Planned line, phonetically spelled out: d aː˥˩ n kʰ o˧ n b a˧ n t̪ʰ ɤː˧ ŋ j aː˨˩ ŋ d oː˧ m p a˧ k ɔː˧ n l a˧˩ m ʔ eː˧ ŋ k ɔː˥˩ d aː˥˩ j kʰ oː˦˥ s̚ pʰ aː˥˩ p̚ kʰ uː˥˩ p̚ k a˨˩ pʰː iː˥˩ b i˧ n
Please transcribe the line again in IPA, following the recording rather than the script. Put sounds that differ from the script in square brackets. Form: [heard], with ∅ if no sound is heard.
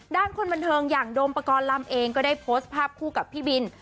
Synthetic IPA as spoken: d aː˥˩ n kʰ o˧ n b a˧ n t̪ʰ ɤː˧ ŋ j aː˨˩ ŋ d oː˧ m p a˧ k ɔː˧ n l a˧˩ m ʔ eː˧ ŋ k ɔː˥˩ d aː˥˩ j [pʰ] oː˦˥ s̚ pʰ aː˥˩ p̚ kʰ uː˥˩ [∅] k a˨˩ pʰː iː˥˩ b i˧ n